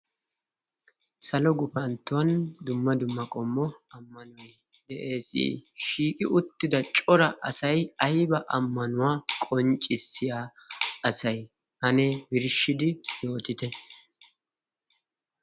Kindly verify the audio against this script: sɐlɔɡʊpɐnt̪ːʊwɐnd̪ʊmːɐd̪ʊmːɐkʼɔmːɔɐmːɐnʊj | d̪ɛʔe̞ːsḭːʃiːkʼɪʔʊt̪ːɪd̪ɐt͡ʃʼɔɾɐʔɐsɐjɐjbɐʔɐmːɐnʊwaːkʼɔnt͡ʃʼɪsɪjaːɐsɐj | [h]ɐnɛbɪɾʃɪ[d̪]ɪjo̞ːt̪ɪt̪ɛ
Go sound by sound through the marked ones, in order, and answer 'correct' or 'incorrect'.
correct, correct

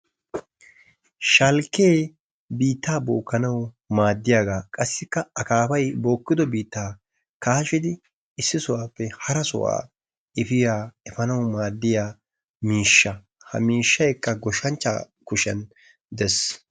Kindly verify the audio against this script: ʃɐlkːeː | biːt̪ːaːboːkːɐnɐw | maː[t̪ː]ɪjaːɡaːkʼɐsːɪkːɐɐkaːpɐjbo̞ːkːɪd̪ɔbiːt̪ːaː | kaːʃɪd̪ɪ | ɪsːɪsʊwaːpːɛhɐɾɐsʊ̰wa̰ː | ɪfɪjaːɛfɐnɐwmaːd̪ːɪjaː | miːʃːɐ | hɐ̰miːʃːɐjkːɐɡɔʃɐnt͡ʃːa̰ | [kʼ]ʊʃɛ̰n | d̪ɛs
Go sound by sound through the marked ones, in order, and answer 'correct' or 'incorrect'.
incorrect: d̪ː, incorrect: k

